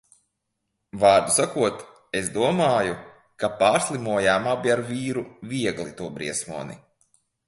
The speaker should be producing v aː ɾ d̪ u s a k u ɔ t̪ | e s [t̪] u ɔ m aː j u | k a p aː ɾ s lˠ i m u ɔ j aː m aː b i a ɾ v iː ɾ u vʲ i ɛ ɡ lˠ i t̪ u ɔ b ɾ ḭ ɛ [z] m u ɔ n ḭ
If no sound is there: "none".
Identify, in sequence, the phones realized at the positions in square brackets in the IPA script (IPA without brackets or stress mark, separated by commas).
d̪, s